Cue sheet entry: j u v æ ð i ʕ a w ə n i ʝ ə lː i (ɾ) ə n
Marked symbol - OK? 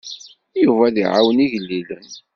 no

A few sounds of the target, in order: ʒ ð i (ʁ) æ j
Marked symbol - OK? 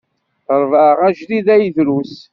no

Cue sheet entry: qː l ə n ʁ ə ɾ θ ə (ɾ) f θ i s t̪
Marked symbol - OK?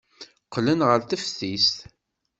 no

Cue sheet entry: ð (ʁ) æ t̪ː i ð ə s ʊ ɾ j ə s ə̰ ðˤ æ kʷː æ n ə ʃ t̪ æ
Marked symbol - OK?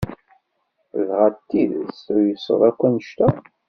yes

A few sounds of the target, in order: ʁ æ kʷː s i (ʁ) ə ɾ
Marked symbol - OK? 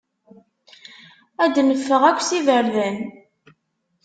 no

